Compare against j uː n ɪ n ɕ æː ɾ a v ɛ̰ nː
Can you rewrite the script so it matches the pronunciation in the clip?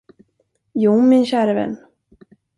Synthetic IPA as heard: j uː m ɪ n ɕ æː ɾ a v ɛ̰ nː

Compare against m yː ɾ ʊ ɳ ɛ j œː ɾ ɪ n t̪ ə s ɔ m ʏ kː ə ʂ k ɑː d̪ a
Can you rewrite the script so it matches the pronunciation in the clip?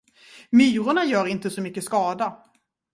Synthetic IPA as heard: m yː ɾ ʊ ɳ a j œː ɾ ɪ n t̪ ə s ɔ m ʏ kː ə s k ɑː d̪ a

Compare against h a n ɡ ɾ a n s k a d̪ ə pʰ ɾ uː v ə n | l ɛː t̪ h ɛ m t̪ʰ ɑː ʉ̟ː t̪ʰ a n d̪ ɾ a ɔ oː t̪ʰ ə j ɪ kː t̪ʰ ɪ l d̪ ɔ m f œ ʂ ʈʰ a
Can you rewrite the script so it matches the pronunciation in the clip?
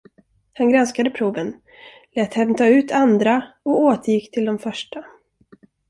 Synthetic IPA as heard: h a n ɡ ɾ a n s k a d̪ ə pʰ ɾ uː v ə n | l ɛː t̪ h ɛ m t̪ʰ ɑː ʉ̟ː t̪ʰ a n d̪ ɾ a ɔ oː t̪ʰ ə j ɪ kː t̪ʰ ɪ l d̪ ɔ m f œ ʂ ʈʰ a

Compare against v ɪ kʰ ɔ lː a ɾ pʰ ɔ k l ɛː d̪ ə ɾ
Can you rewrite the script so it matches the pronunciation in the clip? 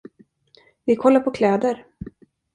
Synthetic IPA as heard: v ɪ kʰ ɔ lː a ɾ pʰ ɔ kʰ l ɛː d̪ ə ɾ

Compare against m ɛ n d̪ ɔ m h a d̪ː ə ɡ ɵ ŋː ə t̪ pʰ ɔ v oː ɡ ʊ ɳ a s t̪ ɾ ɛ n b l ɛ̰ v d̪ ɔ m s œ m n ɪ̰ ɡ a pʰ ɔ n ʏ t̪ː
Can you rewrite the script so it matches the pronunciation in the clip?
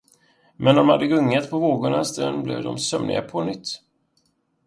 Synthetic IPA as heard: m ɛ n d̪ ɔ m h a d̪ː ə ɡ ɵ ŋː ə t̪ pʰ ɔ v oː ɡ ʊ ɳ a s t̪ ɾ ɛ n b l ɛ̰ v d̪ ɔ m s œ m n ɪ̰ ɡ a pʰ ɔ n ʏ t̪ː

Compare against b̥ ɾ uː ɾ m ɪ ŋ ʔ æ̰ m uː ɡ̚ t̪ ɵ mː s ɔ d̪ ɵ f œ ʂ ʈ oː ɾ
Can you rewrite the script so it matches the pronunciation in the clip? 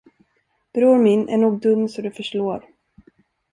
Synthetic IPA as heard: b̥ ɾ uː ɾ m ɪ n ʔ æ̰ ɳ uː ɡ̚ d̪ ɵ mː s ɔ d̪ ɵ f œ ʂ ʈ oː ɾ

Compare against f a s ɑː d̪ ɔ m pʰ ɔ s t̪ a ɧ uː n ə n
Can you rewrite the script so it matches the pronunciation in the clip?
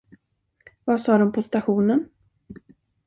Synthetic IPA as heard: v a s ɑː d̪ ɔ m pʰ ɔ s t̪ a ɧ uː n ə n

